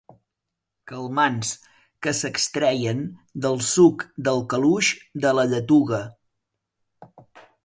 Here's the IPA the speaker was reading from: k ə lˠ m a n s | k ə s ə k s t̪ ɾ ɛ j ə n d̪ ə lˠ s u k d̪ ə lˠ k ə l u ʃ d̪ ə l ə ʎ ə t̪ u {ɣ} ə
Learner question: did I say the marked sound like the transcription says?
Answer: yes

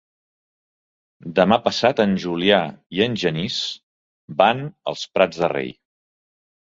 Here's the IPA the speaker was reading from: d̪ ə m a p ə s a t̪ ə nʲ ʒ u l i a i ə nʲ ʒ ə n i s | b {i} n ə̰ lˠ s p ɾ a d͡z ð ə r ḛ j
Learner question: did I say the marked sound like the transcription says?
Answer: no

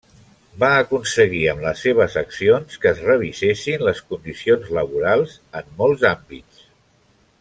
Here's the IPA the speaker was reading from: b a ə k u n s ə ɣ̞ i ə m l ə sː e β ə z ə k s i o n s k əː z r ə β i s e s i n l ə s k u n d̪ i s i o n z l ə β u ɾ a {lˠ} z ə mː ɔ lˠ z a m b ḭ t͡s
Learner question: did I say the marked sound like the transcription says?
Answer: yes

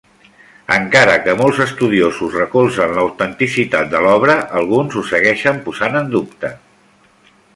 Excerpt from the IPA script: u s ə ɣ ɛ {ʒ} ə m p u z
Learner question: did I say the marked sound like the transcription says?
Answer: no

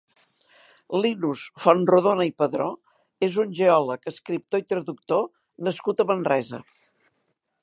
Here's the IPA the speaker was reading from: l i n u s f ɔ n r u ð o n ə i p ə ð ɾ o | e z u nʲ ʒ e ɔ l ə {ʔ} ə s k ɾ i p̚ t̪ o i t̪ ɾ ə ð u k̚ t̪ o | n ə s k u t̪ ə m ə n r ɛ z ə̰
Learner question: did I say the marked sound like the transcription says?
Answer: no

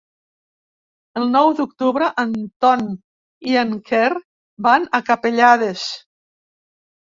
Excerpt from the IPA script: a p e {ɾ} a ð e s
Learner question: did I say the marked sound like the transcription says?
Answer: no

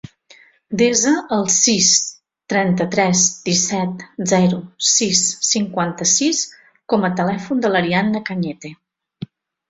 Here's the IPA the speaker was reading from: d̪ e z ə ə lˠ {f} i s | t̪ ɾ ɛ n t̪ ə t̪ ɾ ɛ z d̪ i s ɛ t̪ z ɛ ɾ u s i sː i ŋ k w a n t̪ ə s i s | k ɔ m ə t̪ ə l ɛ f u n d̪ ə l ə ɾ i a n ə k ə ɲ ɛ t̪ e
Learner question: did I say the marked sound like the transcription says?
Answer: no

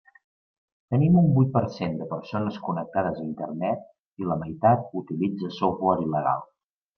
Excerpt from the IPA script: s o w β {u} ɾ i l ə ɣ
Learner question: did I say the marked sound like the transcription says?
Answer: no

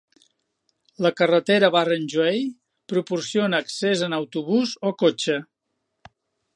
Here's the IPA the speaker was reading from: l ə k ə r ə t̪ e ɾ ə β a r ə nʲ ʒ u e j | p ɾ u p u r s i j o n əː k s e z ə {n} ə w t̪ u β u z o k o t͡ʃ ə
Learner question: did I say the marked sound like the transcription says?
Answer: yes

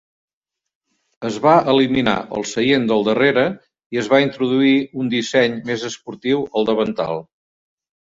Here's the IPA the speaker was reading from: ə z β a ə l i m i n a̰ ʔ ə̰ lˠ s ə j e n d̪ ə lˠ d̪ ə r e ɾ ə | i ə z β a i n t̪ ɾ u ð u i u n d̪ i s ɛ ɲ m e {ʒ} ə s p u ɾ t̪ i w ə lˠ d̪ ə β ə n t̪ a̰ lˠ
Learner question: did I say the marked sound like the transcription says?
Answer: no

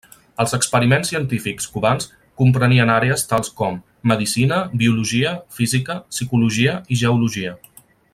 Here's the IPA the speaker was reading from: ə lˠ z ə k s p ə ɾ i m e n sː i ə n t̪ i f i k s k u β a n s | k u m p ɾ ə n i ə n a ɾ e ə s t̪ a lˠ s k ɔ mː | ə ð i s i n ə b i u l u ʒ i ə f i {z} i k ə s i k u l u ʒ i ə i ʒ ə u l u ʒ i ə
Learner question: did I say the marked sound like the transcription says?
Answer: yes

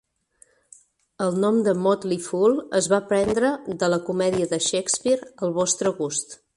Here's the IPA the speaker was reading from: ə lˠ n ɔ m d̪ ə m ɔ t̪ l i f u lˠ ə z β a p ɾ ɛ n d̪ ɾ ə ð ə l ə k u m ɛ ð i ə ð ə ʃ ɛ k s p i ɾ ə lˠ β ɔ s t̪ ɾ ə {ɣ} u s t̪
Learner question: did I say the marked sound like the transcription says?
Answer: yes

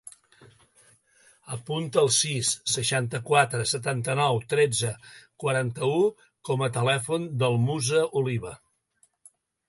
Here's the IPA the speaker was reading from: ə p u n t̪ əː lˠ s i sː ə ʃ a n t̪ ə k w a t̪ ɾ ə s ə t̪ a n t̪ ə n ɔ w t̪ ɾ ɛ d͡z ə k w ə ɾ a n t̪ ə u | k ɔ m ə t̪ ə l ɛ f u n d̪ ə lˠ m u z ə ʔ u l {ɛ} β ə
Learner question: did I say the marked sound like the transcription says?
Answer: no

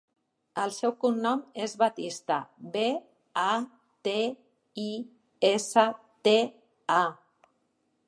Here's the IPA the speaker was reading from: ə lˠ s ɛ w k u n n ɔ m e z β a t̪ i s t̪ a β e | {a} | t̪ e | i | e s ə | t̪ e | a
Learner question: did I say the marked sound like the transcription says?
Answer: yes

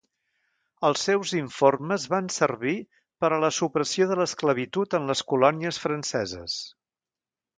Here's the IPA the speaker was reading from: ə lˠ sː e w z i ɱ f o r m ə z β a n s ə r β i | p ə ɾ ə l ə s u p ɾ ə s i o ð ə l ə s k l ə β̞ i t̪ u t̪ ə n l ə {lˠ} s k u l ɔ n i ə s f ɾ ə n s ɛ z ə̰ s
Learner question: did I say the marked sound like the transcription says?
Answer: no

